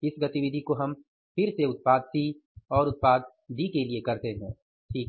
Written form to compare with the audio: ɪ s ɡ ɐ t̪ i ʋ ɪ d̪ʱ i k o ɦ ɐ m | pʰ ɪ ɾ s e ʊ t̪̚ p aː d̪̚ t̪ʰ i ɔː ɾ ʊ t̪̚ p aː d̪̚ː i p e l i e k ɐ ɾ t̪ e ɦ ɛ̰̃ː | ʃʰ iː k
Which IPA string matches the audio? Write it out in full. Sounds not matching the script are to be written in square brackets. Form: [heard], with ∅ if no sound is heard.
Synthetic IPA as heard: ɪ s ɡ ɐ t̪ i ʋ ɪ d̪ʱ i k o ɦ ɐ m | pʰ ɪ ɾ s e ʊ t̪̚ p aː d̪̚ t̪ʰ i ɔː ɾ ʊ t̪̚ p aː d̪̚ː i [k] e l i e k ɐ ɾ t̪ e ɦ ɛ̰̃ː | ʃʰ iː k